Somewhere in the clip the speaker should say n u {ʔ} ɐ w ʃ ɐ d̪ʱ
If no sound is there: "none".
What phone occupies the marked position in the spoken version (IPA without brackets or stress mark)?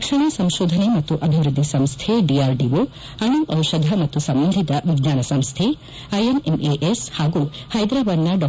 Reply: ʔ